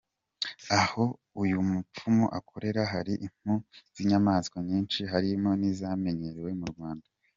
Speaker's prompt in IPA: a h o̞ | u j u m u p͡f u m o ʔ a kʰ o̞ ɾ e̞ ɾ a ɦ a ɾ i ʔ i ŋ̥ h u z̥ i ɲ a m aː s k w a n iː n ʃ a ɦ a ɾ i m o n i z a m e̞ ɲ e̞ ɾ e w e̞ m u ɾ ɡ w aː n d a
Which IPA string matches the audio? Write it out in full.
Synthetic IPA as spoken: a h o̞ | u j u m u p͡f u m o ʔ a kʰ o̞ ɾ e̞ ɾ a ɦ a ɾ i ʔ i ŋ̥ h u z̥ i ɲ a m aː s k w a ɲ iː n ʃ i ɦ a ɾ i m o n i z a m e̞ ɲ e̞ ɾ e w e̞ m u ɾ ɡ w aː n d a